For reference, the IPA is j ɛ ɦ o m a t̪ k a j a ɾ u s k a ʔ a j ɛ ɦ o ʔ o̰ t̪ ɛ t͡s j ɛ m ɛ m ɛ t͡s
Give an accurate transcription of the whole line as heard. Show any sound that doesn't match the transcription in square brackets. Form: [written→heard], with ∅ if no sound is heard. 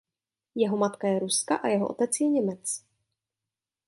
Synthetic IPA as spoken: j ɛ ɦ o m a t̪ k a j [a→ɛ] ɾ u s k a ʔ a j ɛ ɦ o ʔ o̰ t̪ ɛ t͡s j ɛ [m→ɲ] ɛ m ɛ t͡s